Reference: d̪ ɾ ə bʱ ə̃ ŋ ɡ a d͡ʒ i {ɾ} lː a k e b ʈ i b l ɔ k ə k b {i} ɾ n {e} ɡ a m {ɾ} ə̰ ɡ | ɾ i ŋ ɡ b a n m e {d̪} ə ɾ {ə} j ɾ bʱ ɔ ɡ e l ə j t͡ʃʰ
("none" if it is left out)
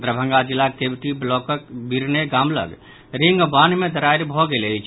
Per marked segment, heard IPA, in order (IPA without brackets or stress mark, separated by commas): none, i, e, l, d̪, a